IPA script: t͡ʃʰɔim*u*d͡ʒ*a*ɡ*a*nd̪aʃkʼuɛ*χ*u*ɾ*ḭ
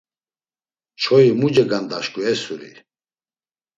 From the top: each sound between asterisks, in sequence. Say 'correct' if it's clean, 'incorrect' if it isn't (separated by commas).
correct, incorrect, correct, incorrect, correct